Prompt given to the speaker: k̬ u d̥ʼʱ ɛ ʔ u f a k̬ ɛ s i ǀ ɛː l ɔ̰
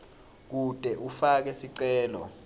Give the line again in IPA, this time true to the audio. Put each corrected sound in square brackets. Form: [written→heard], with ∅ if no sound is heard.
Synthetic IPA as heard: k̬ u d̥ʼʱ ɛ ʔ u f a k̬ ɛ s i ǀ ɛː l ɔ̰